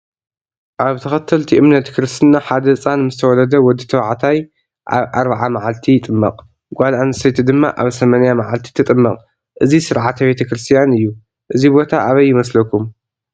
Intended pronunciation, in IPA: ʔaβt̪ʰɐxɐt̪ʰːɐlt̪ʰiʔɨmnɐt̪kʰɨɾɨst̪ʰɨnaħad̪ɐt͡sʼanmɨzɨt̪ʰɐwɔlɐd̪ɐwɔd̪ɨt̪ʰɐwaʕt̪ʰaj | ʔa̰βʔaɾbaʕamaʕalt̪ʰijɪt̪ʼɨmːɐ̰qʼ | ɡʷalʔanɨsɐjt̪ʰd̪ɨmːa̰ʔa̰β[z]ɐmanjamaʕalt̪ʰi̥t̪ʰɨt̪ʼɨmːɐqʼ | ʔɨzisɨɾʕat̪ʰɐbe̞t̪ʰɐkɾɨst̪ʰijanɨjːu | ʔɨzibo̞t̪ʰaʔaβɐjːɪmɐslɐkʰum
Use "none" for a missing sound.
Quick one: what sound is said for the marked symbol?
s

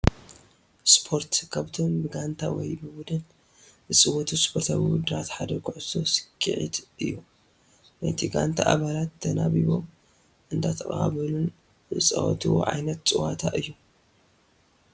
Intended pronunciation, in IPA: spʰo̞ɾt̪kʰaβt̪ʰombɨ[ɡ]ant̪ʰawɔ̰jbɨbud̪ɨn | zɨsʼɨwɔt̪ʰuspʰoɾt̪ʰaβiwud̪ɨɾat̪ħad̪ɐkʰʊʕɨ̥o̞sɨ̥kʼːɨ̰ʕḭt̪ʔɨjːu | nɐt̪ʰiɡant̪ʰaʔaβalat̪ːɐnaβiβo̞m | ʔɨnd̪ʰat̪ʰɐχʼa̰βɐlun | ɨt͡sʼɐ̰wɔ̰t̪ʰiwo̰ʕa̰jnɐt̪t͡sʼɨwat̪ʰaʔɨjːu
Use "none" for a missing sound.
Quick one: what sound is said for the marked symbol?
ɡ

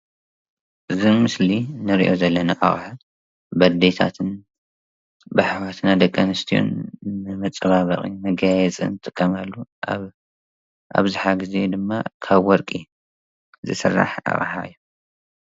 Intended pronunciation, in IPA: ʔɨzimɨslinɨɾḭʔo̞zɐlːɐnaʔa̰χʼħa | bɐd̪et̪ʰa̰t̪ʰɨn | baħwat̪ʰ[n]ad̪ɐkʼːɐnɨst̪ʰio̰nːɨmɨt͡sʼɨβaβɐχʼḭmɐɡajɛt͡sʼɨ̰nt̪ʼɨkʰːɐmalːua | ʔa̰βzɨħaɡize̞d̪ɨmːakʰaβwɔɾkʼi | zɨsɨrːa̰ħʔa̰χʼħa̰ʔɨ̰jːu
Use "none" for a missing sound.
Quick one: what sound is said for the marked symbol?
n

